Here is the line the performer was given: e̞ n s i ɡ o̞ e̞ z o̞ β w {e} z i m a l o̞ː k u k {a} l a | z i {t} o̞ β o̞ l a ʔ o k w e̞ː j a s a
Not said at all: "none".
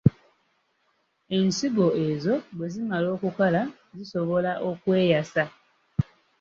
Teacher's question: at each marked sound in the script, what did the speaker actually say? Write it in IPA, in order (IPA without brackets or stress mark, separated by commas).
e, a, s